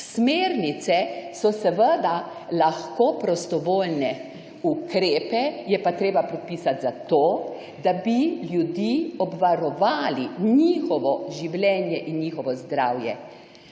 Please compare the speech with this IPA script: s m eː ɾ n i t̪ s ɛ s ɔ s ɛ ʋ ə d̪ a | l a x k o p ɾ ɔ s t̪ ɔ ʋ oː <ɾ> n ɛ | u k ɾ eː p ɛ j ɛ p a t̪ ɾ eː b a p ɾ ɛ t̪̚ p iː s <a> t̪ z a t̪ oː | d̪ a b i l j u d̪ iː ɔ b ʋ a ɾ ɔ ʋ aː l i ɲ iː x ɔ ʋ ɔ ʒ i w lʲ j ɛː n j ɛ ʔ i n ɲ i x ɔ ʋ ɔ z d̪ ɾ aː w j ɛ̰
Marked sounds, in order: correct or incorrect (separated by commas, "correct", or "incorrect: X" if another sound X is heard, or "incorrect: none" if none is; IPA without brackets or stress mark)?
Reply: incorrect: l, correct